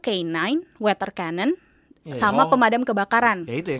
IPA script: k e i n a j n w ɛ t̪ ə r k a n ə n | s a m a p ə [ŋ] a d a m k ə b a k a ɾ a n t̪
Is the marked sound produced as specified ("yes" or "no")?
no